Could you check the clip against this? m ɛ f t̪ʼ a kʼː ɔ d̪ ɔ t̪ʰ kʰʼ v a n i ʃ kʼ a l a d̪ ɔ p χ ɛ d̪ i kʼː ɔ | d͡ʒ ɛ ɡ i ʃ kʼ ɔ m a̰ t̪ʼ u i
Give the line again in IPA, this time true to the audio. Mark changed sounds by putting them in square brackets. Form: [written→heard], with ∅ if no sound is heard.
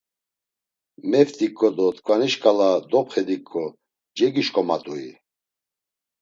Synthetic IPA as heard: m ɛ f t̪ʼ [a→i] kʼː ɔ d̪ ɔ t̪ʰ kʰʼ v a n i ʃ kʼ a l a d̪ ɔ p χ ɛ d̪ i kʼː ɔ | d͡ʒ ɛ ɡ i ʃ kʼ ɔ m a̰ t̪ʼ u i